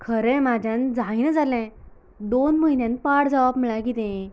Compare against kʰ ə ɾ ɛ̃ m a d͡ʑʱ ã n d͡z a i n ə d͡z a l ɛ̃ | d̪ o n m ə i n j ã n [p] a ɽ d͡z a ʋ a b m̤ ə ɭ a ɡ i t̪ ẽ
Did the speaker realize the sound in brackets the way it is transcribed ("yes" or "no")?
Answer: yes